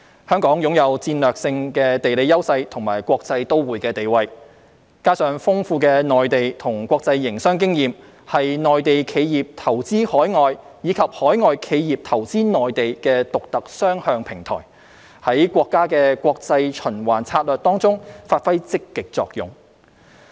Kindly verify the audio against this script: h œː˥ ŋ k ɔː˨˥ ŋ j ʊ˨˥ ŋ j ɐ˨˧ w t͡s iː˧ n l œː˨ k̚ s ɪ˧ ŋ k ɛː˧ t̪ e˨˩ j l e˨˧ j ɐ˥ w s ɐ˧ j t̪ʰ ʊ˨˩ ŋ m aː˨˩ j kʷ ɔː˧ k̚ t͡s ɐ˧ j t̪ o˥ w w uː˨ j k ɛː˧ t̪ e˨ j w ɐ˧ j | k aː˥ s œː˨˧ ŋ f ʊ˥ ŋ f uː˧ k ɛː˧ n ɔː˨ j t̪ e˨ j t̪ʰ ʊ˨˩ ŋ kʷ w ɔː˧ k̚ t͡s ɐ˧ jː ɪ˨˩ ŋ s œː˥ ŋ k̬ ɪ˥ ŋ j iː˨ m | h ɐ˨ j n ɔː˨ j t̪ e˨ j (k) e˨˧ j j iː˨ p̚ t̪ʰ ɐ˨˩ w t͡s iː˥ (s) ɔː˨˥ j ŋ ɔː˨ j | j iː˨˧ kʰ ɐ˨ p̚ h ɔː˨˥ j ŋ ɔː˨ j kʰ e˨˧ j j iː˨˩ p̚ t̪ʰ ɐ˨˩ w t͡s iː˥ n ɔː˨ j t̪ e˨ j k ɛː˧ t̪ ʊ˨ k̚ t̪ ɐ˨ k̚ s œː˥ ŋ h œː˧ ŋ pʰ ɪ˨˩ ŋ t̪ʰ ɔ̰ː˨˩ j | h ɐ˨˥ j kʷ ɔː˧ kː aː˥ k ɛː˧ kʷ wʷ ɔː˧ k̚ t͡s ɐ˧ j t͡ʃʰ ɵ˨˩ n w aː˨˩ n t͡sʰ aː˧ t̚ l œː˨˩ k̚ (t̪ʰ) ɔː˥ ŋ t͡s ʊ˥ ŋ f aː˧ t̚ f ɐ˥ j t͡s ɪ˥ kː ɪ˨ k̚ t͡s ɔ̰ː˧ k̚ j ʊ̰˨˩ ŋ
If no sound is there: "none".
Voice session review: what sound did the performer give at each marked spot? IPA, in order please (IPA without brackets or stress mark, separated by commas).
kʰ, h, t̪